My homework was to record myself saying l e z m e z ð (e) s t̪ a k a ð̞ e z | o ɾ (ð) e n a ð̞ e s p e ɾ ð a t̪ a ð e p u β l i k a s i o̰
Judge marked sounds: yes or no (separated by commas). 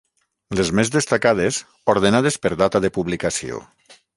yes, yes